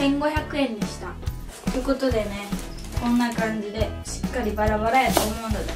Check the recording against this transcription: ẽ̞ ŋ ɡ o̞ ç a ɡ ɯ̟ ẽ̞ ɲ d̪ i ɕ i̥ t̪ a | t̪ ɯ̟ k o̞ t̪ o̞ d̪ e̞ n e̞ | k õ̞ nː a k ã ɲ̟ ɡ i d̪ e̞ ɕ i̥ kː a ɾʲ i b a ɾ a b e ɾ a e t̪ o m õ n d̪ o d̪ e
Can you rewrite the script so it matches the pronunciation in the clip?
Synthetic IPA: ẽ̞ ŋ ɡ o̞ ç a k ɯ̟ ẽ̞ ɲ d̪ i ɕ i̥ t̪ a | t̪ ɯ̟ k o̞ t̪ o̞ d̪ e̞ n e̞ | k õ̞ nː a k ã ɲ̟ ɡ i d̪ e̞ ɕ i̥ kː a ɾʲ i b a ɾ a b a ɾ a e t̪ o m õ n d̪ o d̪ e